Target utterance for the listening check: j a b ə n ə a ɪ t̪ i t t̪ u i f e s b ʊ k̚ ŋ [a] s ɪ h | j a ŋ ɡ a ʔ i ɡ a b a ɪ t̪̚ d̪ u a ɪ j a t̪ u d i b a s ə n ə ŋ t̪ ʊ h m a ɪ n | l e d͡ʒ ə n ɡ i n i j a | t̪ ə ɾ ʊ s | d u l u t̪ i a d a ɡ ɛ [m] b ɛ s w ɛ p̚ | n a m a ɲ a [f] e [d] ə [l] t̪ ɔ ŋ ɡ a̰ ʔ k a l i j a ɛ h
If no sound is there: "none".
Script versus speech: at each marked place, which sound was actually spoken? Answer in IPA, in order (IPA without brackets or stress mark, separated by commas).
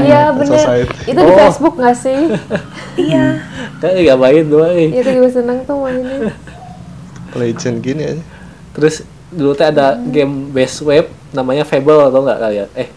a, m, f, b, l